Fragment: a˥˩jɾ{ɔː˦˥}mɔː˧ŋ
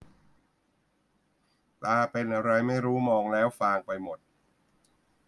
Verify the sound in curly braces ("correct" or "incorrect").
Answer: incorrect